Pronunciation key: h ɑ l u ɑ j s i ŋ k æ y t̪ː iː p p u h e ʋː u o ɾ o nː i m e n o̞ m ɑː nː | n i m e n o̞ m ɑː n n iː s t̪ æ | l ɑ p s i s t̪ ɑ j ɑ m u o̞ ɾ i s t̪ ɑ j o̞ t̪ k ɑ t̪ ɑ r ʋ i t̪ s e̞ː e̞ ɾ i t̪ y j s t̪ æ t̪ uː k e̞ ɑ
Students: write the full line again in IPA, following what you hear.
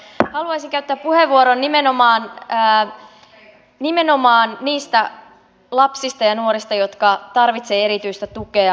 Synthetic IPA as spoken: h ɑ l u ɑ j s i ŋ k æ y t̪ː æː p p u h e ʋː u o ɾ o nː i m e n o̞ m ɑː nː | n i m e n o̞ m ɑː n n iː s t̪ æ | l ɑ p s i s t̪ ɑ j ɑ n u o̞ ɾ i s t̪ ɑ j o̞ t̪ k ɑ t̪ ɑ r ʋ i t̪ s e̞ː e̞ ɾ i t̪ y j s t̪ æ t̪ u k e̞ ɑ